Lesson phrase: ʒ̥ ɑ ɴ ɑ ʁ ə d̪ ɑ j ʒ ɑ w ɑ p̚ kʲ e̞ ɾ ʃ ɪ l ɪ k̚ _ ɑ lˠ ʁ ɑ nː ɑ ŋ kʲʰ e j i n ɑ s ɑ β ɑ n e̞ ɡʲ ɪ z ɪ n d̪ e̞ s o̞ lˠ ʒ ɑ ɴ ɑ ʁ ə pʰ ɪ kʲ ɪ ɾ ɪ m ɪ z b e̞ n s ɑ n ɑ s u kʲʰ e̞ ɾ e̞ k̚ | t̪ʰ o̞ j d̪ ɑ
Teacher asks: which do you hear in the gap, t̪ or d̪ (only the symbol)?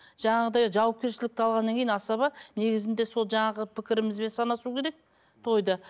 t̪